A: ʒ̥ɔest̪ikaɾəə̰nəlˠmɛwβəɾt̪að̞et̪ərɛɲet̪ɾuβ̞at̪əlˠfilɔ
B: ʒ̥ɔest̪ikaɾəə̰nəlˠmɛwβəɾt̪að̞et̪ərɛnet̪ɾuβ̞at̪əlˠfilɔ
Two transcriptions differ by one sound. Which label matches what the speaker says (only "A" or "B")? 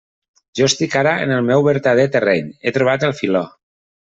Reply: A